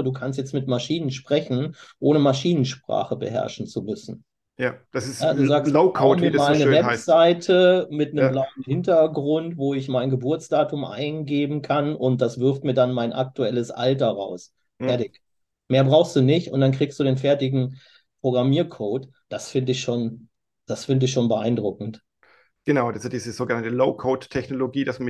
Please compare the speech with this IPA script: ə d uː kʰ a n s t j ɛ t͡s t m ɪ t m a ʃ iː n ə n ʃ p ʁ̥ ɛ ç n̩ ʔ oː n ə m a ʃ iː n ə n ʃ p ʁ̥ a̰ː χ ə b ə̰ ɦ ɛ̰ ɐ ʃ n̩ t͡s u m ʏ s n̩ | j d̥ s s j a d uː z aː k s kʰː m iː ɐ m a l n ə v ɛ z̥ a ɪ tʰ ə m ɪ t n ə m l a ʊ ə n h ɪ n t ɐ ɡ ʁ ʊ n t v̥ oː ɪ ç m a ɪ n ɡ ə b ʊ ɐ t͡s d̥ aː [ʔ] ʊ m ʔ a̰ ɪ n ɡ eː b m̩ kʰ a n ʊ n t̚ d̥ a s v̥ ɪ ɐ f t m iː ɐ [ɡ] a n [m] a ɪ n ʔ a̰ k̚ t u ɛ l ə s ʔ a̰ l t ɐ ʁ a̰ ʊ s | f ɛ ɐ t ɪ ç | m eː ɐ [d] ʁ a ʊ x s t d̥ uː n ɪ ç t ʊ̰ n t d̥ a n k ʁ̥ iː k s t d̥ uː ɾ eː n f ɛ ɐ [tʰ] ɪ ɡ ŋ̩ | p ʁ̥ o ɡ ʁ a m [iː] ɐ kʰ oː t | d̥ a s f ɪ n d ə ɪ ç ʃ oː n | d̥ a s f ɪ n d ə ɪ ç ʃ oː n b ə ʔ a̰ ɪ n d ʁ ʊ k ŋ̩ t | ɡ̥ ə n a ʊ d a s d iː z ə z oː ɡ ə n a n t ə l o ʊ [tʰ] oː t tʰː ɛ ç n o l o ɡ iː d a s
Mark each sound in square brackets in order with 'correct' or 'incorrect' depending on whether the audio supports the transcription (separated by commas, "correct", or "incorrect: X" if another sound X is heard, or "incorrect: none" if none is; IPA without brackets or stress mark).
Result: incorrect: t, incorrect: d, correct, incorrect: b, incorrect: t, correct, incorrect: kʰ